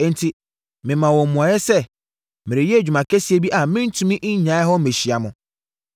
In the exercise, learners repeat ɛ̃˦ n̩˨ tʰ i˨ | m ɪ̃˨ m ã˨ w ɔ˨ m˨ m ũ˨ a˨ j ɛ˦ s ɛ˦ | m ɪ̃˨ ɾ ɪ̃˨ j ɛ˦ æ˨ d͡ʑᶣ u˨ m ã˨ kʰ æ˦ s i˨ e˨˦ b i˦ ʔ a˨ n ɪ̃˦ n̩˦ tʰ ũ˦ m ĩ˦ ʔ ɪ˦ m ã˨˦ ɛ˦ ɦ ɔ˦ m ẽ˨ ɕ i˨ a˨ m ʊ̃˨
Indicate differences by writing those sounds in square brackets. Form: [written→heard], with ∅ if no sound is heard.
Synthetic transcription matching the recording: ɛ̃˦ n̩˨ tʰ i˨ | m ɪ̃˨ m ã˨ w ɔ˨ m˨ m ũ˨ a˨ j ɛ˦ s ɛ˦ | m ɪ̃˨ ɾ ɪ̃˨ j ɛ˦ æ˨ d͡ʑᶣ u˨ m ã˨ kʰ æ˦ s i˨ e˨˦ b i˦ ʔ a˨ [n→m] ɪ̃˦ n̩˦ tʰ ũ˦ m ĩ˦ ʔ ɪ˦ [m→ɲ] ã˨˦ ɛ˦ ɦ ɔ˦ m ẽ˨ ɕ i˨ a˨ m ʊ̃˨